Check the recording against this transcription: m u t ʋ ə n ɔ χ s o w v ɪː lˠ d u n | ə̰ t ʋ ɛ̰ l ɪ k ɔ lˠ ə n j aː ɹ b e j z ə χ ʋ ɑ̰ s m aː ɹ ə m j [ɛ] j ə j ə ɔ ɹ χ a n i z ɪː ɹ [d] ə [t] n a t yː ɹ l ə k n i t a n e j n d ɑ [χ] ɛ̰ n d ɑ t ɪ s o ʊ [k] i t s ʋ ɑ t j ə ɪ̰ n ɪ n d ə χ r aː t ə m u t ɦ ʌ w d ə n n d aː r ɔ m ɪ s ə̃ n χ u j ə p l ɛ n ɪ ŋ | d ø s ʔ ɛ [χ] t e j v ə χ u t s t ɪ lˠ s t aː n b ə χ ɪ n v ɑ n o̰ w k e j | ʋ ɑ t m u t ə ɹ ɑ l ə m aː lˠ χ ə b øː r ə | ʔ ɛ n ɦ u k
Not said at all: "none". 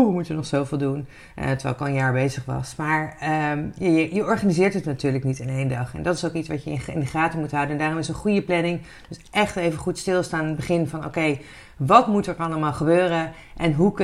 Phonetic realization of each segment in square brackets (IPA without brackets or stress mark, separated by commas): a, t, t, χ, k, χ